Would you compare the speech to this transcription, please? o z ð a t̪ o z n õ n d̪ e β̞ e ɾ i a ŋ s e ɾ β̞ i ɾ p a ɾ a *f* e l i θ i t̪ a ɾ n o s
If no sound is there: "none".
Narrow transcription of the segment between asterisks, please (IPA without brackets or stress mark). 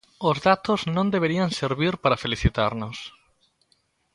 f